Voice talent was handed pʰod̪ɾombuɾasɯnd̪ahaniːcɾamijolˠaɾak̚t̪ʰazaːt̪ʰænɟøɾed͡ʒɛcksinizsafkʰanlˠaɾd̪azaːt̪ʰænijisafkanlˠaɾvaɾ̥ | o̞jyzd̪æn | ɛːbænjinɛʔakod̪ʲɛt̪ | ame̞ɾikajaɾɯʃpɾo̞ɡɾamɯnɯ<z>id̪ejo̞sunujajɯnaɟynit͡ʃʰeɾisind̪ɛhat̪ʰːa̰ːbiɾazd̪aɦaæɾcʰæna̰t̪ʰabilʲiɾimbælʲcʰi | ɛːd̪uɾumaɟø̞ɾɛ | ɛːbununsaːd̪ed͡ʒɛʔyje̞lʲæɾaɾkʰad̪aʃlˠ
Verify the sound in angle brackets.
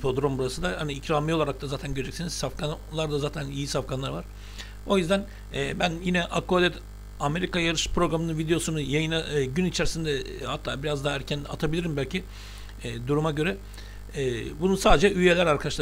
incorrect: v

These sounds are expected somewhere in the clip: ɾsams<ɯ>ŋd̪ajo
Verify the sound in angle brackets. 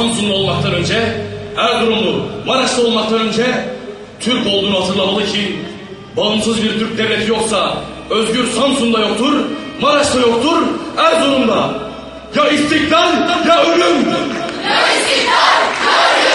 incorrect: u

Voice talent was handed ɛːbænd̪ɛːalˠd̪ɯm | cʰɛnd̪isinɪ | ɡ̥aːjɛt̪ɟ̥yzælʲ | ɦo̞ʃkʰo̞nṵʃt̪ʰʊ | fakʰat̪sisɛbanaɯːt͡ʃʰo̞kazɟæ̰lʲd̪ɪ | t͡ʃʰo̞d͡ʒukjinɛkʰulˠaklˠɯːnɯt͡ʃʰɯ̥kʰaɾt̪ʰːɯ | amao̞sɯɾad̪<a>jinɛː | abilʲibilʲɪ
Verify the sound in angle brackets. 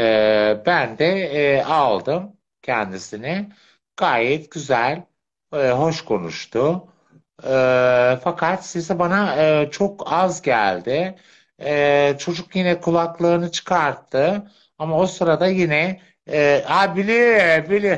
correct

